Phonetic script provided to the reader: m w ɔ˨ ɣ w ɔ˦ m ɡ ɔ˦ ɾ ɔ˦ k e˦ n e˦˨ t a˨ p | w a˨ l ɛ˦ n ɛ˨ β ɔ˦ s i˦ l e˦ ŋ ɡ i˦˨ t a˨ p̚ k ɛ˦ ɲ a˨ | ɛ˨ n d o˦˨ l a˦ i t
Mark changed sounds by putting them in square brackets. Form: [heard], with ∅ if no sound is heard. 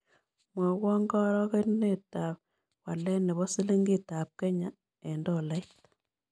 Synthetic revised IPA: m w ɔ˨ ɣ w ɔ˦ [ŋ] ɡ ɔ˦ ɾ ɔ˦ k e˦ n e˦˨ t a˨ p | w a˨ l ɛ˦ n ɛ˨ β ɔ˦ s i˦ l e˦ ŋ ɡ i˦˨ t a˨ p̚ k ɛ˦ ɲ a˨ | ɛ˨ n d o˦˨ l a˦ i t